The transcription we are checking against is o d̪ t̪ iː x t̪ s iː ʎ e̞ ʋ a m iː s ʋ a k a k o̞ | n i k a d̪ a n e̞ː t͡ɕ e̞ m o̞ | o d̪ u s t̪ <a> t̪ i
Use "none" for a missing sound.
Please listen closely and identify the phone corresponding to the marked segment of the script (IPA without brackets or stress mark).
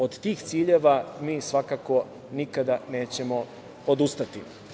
a